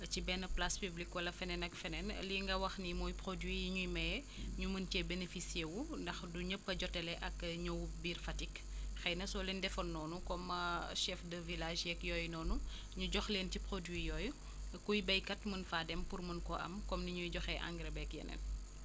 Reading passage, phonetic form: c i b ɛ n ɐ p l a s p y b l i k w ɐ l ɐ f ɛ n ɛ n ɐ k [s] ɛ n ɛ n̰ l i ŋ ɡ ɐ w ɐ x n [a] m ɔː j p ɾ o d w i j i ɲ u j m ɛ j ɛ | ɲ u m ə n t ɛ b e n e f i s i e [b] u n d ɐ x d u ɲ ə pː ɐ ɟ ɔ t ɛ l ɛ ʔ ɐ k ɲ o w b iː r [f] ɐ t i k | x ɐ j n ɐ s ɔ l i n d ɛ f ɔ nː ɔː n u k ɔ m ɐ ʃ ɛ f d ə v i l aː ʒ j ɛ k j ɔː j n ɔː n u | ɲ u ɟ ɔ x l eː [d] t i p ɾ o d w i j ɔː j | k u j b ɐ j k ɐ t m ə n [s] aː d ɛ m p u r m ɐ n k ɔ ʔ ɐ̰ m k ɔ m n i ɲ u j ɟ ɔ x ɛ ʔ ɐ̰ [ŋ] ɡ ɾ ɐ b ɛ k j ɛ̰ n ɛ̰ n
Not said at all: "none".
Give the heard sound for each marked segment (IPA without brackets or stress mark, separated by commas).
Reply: f, i, w, f, n, f, ŋ